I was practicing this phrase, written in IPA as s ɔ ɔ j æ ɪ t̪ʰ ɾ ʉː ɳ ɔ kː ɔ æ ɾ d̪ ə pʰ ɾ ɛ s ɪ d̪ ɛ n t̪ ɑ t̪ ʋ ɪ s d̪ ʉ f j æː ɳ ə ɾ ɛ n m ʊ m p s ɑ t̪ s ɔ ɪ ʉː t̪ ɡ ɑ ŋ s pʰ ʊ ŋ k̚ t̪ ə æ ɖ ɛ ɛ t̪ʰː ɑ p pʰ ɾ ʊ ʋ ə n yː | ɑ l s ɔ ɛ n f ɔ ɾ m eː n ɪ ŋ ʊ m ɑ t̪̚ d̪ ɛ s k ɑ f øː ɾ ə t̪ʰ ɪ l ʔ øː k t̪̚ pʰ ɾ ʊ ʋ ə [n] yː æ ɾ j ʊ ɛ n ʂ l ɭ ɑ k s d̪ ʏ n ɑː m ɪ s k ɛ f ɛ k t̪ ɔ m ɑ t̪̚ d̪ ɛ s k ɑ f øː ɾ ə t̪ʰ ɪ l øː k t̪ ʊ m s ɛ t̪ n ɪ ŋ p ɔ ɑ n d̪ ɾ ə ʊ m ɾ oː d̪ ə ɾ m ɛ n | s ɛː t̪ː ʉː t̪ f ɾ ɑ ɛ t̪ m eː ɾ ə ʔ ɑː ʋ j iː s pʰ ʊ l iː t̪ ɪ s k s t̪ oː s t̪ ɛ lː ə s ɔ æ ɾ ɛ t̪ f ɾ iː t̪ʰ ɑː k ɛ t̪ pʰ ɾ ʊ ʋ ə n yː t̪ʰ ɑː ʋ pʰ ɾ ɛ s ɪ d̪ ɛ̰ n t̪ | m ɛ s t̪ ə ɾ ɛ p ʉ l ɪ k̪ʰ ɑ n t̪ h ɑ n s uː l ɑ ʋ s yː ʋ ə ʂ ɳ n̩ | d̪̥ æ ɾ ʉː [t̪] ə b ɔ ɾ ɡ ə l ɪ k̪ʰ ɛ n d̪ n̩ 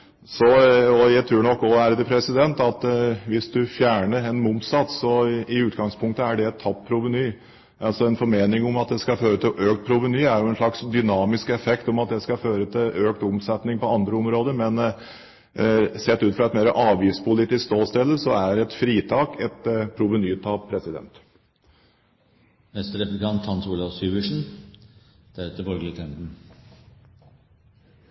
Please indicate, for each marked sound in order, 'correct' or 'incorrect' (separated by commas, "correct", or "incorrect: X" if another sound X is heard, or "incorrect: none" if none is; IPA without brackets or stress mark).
correct, correct